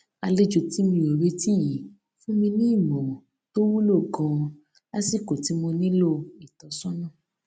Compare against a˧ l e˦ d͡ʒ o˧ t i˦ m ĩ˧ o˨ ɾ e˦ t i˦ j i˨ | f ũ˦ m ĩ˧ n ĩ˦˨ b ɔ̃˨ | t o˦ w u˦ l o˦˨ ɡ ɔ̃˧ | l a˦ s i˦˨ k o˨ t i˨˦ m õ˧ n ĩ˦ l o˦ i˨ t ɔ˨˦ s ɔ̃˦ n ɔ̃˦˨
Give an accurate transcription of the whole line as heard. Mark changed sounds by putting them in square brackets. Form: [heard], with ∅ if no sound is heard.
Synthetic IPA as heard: a˧ l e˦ d͡ʒ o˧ t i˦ m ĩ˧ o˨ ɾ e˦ t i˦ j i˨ | f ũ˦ m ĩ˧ n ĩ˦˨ [m] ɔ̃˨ | t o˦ w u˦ l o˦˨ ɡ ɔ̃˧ | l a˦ s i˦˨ k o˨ t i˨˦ m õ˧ n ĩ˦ l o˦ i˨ t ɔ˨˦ s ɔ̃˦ n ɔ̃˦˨